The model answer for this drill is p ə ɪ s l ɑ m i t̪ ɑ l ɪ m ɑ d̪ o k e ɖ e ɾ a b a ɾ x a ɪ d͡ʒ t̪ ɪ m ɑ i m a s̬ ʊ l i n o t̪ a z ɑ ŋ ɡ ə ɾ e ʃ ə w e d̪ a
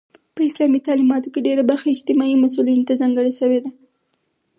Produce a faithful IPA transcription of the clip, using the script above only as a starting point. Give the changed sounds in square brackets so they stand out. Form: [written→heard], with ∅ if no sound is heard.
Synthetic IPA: p ə ɪ s l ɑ m i t̪ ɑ l [ɪ→i] m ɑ [d̪→t̪] o k e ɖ e ɾ a b a ɾ x a ɪ d͡ʒ t̪ ɪ m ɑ i m a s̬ [ʊ→u] l i n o t̪ a z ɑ ŋ ɡ ə [ɾ→ɽ] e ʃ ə w e d̪ a